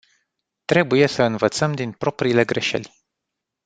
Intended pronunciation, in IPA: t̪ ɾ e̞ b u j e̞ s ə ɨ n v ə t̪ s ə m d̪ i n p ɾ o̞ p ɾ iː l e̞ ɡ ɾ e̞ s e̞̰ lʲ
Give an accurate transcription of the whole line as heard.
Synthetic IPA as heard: t̪ ɾ e̞ b u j e̞ s ə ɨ n v ə t̪ s ə m d̪ i n p ɾ o̞ p ɾ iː l e̞ ɡ ɾ e̞ ʃ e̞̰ lʲ